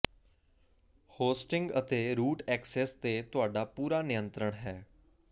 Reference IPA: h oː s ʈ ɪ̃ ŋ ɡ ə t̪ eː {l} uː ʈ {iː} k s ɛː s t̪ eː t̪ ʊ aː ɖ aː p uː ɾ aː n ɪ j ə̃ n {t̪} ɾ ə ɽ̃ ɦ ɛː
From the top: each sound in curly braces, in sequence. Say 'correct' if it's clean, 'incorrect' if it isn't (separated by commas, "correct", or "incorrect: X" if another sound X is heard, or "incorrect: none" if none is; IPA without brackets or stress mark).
incorrect: ɾ, incorrect: ɛː, correct